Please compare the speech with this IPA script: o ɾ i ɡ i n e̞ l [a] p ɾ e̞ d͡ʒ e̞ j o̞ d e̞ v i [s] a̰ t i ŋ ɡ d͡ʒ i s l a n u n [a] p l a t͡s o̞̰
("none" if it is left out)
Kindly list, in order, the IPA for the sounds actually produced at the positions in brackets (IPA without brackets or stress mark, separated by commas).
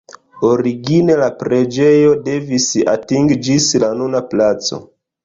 a, s, a